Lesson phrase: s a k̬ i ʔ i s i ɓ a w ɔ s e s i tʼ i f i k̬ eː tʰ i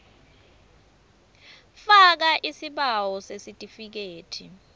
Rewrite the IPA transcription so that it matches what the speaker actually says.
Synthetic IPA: f a k̬ a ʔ i s i ɓ a w ɔ s e s i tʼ i f i k̬ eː tʰ i